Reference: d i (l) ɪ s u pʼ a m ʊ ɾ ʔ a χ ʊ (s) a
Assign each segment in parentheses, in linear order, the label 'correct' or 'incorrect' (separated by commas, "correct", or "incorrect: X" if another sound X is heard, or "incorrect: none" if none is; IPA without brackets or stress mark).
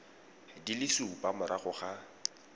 correct, incorrect: χ